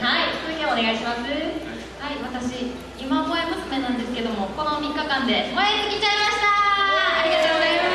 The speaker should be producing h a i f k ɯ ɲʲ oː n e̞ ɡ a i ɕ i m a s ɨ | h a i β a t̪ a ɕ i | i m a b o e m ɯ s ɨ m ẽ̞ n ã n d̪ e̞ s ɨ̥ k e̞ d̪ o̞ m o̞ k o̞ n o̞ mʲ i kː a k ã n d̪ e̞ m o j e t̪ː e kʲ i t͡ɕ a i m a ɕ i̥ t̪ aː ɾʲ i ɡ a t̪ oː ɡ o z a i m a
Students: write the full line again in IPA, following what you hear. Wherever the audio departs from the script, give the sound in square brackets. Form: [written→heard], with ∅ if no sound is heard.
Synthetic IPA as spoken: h a i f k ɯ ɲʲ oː n e̞ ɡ a i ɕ i m a s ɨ | h a i β a t̪ a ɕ i | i m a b o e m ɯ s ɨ m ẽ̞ n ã n d̪ e̞ s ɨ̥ k e̞ d̪ o̞ m o̞ k o̞ n o̞ mʲ i kː a k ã n d̪ e̞ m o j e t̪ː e kʲ i t͡ɕ a i m a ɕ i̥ t̪ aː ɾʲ i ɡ a t̪ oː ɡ o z a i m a